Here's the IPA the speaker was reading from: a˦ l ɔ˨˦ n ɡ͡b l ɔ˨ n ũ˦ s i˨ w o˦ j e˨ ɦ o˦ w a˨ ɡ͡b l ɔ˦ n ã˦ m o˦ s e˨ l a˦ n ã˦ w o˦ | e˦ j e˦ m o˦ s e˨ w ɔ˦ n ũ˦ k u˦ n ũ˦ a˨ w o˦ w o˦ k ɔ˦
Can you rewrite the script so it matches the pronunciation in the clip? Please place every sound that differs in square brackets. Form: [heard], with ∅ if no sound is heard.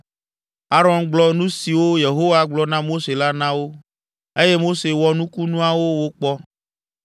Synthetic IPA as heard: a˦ [ɾ] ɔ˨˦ n ɡ͡b l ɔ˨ n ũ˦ s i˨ w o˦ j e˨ ɦ o˦ w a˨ ɡ͡b l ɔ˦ n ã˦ m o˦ s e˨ l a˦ n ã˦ w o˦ | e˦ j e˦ m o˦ s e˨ w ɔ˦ n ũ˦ k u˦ n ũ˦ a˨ w o˦ w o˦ [k͡p] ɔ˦

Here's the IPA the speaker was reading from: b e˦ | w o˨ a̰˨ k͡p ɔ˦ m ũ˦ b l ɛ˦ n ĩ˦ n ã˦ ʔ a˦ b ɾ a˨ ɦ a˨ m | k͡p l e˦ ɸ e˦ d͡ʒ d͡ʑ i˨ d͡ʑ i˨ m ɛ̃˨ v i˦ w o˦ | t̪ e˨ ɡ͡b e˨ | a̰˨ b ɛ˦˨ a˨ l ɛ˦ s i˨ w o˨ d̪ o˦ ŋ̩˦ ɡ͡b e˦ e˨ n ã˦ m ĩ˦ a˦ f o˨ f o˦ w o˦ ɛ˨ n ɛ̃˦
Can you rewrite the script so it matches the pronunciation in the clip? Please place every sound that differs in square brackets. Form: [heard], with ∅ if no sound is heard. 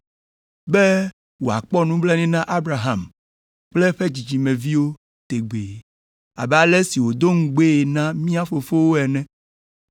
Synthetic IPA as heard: b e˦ | w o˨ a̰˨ k͡p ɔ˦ [n] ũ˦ b l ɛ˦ n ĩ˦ n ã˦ ʔ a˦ b ɾ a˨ ɦ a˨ m | k͡p l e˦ ɸ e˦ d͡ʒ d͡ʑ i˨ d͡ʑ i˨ m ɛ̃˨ v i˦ w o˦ | t̪ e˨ ɡ͡b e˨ | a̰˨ b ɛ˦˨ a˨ l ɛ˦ s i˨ w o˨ d̪ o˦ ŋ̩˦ ɡ͡b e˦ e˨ n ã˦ m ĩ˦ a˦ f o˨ f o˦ w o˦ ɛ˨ n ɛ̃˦

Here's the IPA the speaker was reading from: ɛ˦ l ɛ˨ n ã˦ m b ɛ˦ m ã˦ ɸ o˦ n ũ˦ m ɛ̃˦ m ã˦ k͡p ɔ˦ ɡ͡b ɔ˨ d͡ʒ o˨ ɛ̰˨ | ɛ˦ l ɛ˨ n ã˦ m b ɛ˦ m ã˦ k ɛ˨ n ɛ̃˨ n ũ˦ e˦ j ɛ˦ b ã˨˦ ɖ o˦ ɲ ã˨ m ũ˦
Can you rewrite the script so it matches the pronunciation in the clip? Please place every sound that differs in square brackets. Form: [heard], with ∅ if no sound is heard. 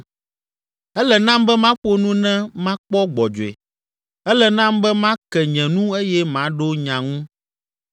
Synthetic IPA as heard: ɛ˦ l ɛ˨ n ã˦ m b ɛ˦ m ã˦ ɸ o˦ n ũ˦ [n] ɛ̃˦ m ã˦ k͡p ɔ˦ ɡ͡b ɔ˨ d͡ʒ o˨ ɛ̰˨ | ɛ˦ l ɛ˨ n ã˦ m b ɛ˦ m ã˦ k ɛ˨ [ɲ] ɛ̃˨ n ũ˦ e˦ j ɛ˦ [m] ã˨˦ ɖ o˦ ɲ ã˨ [ŋ] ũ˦

